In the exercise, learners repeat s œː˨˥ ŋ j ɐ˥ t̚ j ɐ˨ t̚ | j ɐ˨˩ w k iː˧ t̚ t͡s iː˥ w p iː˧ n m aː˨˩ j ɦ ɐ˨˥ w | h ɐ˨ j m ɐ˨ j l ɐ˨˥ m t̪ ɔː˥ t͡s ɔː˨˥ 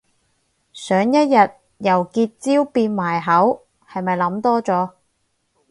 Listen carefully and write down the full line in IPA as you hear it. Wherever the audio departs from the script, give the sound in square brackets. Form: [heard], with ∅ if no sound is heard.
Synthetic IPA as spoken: s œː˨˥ ŋ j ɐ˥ t̚ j ɐ˨ t̚ | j ɐ˨˩ w k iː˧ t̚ t͡s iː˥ w p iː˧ n m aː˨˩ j ɦ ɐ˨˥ w | h ɐ˨ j m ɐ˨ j l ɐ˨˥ m t̪ ɔː˥ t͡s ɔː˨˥